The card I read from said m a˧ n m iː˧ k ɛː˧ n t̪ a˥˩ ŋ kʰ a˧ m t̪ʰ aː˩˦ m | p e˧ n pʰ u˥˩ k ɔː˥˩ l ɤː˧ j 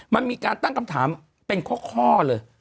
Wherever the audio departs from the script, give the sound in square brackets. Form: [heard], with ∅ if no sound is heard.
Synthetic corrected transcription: m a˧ n m iː˧ k [aː˧] n t̪ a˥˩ ŋ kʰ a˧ m t̪ʰ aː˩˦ m | p e˧ n [kʰ] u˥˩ [kʰ] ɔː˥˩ l ɤː˧ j